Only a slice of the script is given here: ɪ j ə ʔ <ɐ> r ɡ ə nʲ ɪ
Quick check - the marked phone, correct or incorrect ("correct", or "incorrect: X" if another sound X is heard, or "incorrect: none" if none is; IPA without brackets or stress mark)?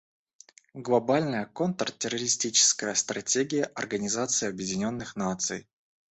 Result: correct